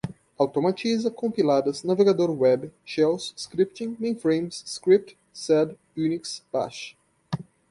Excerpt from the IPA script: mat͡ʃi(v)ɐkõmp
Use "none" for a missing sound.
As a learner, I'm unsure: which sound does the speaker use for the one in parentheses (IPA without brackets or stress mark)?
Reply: z